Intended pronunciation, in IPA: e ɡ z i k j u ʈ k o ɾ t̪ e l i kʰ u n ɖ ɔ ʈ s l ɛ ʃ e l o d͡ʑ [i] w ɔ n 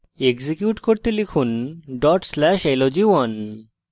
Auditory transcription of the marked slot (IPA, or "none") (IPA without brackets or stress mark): i